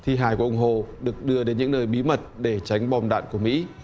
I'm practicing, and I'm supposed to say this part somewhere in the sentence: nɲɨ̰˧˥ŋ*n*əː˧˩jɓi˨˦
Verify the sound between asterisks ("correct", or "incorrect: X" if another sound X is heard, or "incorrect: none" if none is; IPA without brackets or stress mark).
correct